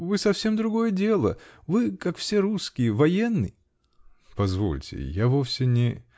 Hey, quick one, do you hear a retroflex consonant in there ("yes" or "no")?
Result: no